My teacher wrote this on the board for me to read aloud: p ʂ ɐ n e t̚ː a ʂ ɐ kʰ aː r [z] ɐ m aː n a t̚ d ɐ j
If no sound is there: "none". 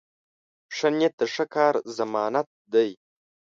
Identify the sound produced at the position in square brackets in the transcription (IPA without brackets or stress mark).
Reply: z